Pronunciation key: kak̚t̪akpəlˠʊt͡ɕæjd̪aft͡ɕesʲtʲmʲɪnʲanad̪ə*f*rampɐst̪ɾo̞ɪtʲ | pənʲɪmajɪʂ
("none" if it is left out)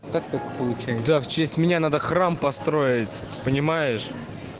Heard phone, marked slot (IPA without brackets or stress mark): x